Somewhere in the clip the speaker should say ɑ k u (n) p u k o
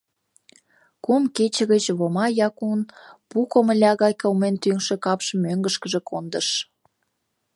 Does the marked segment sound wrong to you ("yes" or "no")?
no